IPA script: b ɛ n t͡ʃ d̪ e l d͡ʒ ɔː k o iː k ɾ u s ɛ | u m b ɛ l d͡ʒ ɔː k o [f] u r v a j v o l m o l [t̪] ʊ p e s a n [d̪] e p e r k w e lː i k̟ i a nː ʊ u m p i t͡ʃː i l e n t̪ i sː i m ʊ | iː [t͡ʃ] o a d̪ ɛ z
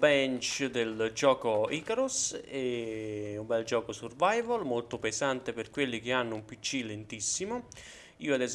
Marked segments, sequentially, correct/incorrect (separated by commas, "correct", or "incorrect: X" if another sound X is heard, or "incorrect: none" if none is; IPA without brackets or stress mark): incorrect: s, correct, incorrect: t̪, incorrect: none